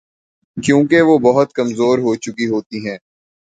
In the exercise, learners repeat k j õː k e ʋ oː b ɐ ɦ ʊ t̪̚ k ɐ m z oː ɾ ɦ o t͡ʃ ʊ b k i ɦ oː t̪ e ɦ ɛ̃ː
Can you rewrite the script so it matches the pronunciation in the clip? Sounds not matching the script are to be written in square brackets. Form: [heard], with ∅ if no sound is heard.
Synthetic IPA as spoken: k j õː k e ʋ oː b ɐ ɦ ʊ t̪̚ k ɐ m z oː ɾ ɦ o t͡ʃ ʊ [∅] k i ɦ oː t̪ [i] ɦ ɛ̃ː